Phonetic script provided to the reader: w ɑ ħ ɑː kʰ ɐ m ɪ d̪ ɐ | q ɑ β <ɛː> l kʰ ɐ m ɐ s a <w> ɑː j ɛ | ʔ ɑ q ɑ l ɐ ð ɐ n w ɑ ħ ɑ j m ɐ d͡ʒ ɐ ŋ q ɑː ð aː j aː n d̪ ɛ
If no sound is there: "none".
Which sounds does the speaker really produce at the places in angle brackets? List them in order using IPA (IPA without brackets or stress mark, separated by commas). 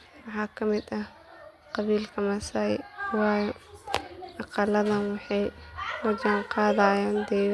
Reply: iː, w